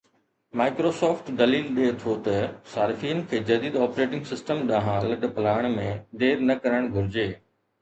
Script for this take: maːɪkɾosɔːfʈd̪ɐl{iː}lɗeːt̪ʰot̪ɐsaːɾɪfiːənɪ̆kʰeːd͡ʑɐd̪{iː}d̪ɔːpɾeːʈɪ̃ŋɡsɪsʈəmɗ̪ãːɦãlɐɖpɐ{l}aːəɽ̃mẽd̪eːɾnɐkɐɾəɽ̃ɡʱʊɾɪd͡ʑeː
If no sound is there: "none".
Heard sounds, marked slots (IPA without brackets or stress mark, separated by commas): iː, iː, l